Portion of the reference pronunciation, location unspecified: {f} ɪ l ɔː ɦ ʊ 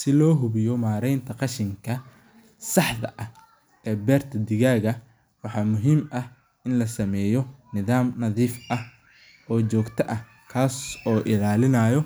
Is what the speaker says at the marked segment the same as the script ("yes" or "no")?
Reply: no